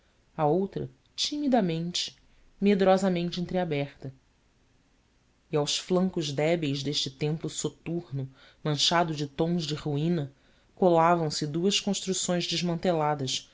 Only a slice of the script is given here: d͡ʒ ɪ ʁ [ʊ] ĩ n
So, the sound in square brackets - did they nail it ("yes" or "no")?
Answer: no